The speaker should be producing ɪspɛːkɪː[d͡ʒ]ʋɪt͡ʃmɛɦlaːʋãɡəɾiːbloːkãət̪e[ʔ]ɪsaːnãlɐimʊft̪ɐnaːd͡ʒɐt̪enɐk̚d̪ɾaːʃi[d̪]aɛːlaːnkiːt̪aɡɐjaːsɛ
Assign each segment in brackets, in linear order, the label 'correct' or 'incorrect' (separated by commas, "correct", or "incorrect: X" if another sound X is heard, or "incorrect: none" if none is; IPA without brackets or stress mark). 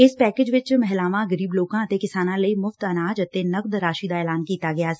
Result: correct, incorrect: k, correct